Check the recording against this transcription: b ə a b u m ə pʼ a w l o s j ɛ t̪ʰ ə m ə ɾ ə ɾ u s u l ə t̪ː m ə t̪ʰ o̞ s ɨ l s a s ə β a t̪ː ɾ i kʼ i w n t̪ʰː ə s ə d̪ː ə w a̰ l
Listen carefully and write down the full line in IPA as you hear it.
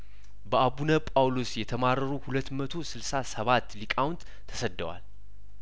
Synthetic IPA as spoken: b ə a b u n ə pʼ a w l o s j ɛ t̪ʰ ə m a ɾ ə ɾ u h u l ə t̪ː m ə t̪ʰ o̞ s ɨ l s a s ə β a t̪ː l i kʼ a w n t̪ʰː ə s ə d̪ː ə w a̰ l